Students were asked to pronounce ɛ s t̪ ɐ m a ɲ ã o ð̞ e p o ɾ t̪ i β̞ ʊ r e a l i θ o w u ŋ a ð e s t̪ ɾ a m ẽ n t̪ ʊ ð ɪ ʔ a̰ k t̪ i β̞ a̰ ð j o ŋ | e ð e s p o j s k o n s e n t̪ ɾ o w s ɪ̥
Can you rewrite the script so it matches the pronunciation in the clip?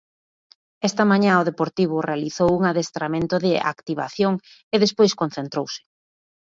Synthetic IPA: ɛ s t̪ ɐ m a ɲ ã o ð̞ e p o ɾ t̪ i β̞ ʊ r e a l i θ o w u ŋ a ð e s t̪ ɾ a m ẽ n t̪ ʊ ð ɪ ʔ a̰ k t̪ i β̞ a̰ θ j o ŋ | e ð e s p o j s k o n θ e n t̪ ɾ o w s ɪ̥

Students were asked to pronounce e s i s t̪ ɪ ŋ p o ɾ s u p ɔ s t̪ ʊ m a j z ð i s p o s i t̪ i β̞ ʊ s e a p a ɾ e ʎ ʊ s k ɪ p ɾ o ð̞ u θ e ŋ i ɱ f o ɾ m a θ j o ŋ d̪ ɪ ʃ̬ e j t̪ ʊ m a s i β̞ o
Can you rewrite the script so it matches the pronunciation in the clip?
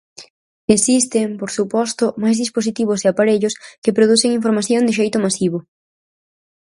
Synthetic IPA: e s i s t̪ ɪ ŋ p o ɾ s u p ɔ s t̪ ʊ m a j z ð i s p o s i t̪ i β̞ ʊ s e a p a ɾ e ʎ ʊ s k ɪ p ɾ o ð̞ u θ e ŋ i ɱ f o ɾ m a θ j o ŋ d̪ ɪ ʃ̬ e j t̪ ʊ m a s i β̞ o

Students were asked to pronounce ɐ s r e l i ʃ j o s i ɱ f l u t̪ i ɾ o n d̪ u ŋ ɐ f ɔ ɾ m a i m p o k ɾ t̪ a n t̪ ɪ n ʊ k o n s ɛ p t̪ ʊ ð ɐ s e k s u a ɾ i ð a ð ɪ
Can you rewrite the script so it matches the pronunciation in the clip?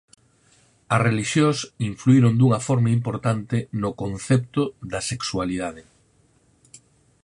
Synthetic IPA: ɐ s r e l i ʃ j o s i ɱ f l u i ɾ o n d̪ u ŋ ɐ f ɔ ɾ m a i m p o ɾ t̪ a n t̪ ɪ n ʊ k o n θ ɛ p t̪ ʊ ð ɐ s e k s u a l i ð a ð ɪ

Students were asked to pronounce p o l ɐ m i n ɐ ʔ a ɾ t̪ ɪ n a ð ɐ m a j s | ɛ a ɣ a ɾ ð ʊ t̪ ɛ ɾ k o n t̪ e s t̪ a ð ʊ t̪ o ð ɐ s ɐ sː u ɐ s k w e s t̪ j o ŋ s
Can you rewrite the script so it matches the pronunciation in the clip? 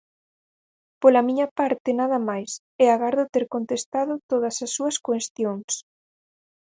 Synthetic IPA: p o l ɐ m i ɲ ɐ p a ɾ t̪ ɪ n a ð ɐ m a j s | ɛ a ɣ a ɾ ð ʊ t̪ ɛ ɾ k o n t̪ e s t̪ a ð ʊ t̪ o ð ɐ s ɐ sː u ɐ s k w e s t̪ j o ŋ s

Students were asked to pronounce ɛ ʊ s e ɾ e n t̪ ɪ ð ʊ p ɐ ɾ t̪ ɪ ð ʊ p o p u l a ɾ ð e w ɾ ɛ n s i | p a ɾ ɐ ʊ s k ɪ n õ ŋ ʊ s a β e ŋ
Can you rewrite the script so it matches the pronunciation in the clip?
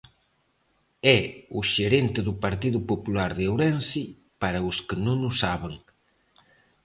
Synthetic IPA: ɛ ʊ ʃ e ɾ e n t̪ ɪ ð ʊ p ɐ ɾ t̪ i ð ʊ p o p u l a ɾ ð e w ɾ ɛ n s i | p a ɾ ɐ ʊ s k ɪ n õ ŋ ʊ s a β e ŋ

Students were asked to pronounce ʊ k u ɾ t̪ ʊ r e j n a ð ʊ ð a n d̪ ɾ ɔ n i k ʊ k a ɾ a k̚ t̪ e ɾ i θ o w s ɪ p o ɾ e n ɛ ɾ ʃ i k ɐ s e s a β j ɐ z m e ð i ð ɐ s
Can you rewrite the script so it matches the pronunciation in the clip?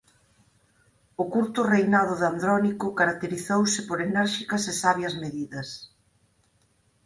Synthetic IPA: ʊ k u ɾ t̪ ʊ r e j n a ð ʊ ð a n d̪ ɾ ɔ n i k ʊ k a ɾ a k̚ t̪ e ɾ i θ o w s ɪ p o ɾ e n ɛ ɾ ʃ i k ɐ s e s a β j ɐ z m e ð i ð ɐ s

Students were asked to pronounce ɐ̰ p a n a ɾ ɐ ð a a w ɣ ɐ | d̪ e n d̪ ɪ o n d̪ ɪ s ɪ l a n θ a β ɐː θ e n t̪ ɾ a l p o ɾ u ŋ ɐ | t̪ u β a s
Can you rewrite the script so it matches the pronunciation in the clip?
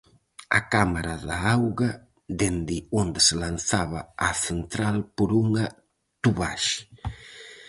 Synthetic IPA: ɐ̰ k a m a ɾ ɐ ð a a w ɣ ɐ | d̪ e n d̪ ɪ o n d̪ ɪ s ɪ l a n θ a β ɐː θ e n t̪ ɾ a l p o ɾ u ŋ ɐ | t̪ u β a ʃ

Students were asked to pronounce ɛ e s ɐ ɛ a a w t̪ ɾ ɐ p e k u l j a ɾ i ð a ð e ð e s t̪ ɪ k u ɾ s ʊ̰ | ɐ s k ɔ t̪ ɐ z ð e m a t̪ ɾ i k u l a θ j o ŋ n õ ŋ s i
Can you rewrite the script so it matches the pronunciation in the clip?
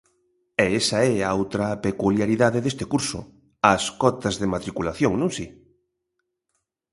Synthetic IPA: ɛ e s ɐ ɛ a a w t̪ ɾ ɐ p e k u l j a ɾ i ð a ð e ð e s t̪ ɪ k u ɾ s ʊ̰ | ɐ s k ɔ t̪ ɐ z ð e m a t̪ ɾ i k u l a θ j o ŋ n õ ŋ s i

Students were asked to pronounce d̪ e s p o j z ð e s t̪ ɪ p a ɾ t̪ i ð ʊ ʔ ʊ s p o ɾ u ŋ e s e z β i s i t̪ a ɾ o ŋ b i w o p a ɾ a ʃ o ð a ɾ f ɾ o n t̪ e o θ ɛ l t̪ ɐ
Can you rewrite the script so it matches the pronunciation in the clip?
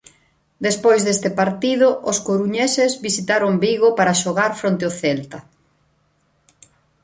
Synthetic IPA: d̪ e s p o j z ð e s t̪ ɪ p a ɾ t̪ i ð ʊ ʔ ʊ s k o ɾ u ɲ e s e z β i s i t̪ a ɾ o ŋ b i ɣ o p a ɾ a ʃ o ɣ a ɾ f ɾ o n t̪ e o θ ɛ l t̪ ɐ

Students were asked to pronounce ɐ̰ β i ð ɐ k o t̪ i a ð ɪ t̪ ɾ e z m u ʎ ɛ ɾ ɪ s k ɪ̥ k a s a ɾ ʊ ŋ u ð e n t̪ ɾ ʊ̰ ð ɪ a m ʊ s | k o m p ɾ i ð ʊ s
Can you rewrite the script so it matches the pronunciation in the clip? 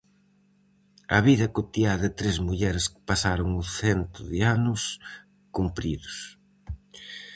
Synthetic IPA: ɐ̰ β i ð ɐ k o t̪ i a ð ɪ t̪ ɾ e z m u ʎ ɛ ɾ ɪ s k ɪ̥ p a s a ɾ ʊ ŋ u θ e n t̪ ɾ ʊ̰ ð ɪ a n ʊ s | k u m p ɾ i ð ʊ s

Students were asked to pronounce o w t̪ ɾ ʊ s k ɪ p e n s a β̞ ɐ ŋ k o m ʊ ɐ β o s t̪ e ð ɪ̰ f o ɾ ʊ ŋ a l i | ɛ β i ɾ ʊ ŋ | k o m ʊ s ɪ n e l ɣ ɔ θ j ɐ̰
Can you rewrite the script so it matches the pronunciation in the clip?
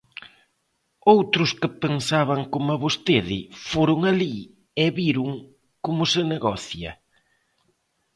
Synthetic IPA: o w t̪ ɾ ʊ s k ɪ p e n s a β̞ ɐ ŋ k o m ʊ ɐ β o s t̪ e ð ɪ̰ f o ɾ ʊ ŋ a l i | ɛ β i ɾ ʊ ŋ | k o m ʊ s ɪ n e ɣ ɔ θ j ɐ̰

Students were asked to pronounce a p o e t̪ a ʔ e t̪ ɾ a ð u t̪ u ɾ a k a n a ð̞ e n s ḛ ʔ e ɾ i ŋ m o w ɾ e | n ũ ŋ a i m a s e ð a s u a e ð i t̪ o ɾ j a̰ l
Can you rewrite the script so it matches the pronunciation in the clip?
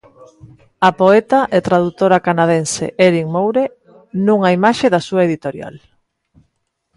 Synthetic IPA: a p o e t̪ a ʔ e t̪ ɾ a ð u t̪ o ɾ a k a n a ð̞ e n s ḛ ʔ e ɾ i ŋ m o w ɾ e | n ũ ŋ a i m a ʃ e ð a s u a e ð i t̪ o ɾ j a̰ l

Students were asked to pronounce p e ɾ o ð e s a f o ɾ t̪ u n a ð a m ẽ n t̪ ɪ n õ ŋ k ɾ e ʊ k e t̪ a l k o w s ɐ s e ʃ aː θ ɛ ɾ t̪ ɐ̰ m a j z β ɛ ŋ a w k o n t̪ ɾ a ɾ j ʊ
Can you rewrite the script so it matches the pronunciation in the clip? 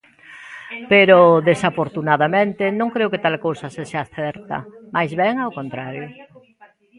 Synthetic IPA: p e ɾ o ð e s a f o ɾ t̪ u n a ð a m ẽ n t̪ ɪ n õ ŋ k ɾ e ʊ k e t̪ a l k o w s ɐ s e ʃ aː θ ɛ ɾ t̪ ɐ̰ m a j z β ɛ ŋ a w k o n t̪ ɾ a ɾ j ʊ

